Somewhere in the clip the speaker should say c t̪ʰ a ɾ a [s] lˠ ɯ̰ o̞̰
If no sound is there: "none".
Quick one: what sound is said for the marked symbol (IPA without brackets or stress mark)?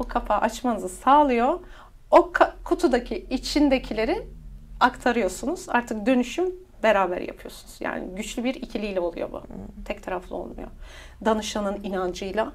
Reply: f